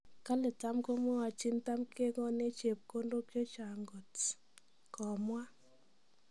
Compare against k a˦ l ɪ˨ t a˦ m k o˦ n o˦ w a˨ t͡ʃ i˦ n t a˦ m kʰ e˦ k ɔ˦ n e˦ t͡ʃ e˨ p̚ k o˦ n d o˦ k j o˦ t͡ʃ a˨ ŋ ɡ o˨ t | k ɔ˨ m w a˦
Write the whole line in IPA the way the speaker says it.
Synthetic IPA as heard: k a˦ l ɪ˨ t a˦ m k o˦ m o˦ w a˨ t͡ʃ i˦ n t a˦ m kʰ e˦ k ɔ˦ n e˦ t͡ʃ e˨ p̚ k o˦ n d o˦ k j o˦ t͡ʃ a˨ ŋ ɡ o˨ t | k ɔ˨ m w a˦